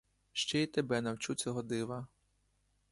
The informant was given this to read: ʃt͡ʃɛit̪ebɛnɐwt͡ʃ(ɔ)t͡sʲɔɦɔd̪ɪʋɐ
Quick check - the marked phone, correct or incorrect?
incorrect